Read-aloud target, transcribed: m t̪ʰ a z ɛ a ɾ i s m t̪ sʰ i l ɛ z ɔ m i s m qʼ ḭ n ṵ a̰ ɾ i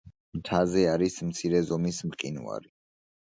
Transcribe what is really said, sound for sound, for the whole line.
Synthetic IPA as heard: m t̪ʰ a z ɛ a ɾ i s m t̪ sʰ i ɾ ɛ z ɔ m i s m qʼ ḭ n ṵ a̰ ɾ i